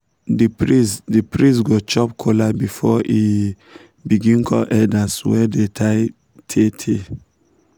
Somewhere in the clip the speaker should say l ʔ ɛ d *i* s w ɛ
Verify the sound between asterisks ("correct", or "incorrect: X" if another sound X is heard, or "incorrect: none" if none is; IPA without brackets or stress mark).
incorrect: a